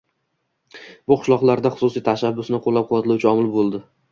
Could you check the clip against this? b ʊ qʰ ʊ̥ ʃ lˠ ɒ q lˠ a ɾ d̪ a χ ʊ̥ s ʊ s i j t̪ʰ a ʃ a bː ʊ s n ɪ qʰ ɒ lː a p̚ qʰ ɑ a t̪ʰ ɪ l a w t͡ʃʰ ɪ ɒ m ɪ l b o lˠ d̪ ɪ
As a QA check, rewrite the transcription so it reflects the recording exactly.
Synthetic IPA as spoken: b ʊ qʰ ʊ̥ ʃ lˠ ɒ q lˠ a ɾ d̪ a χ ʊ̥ s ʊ s i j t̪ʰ a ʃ a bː ʊ s n ɪ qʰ o lː a p̚ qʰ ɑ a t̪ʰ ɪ l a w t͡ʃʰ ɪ ɒ m ɪ l b o lˠ d̪ ɪ